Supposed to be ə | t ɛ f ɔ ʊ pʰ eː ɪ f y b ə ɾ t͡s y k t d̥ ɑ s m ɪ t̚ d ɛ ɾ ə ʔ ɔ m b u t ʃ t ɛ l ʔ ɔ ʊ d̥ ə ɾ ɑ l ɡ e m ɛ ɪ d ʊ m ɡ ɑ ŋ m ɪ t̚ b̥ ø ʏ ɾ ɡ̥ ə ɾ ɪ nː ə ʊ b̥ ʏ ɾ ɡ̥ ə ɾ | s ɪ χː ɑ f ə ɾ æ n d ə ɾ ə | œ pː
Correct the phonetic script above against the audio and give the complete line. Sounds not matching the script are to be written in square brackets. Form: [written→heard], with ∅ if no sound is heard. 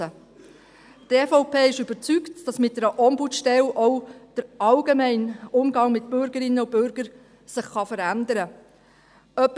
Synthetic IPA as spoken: ə | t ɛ f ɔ ʊ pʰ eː ɪ [f→ʃ] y b ə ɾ t͡s y k t d̥ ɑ s m ɪ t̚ d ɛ ɾ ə ʔ ɔ m b u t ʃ t ɛ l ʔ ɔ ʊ d̥ ə ɾ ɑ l ɡ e m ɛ ɪ [d→n] ʊ m ɡ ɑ ŋ m ɪ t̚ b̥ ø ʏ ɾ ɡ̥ ə ɾ ɪ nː ə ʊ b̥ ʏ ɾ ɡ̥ ə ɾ | s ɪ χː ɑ f ə ɾ æ n d ə ɾ ə | œ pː